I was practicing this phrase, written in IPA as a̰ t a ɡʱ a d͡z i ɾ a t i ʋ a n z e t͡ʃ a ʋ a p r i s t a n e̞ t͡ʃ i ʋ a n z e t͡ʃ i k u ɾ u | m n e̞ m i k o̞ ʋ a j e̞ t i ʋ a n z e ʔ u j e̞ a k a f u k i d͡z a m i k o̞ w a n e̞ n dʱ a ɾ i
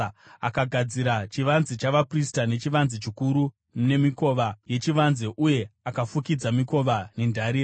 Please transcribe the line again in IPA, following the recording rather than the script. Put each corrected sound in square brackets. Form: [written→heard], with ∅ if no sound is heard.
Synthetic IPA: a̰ [t→k] a ɡʱ a d͡z i ɾ a [t→t͡ʃ] i ʋ a n z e t͡ʃ a ʋ a p r i s t a n e̞ t͡ʃ i ʋ a n z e t͡ʃ i k u ɾ u | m n e̞ m i k o̞ ʋ a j e̞ [t→t͡ʃ] i ʋ a n z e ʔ u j e̞ a k a f u k i d͡z a m i k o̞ [w→ʋ] a n e̞ n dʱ a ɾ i